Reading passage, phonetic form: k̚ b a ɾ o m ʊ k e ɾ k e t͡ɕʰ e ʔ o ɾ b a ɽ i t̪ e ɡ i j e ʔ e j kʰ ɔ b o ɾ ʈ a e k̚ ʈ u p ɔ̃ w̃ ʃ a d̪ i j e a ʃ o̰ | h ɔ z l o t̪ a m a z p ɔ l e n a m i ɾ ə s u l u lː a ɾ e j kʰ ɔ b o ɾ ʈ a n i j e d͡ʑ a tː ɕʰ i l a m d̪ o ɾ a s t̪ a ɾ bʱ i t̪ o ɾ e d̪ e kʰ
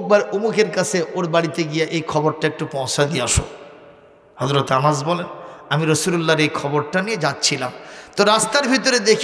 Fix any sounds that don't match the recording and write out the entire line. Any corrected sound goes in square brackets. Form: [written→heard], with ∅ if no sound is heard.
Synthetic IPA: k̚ b a ɾ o m [ʊ→u] k e ɾ k [e→a] t͡ɕʰ e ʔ o ɾ b a ɽ i t̪ e ɡ i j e ʔ e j kʰ ɔ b o ɾ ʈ a e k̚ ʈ u p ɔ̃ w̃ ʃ a d̪ i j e a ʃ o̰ | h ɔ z [l→ɾ] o t̪ a m a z [p→b] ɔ l e n a m i ɾ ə s u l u lː a ɾ e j kʰ ɔ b o ɾ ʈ a n i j e d͡ʑ a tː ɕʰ i l a m [d̪→t̪] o ɾ a s t̪ a ɾ bʱ i t̪ o ɾ e d̪ e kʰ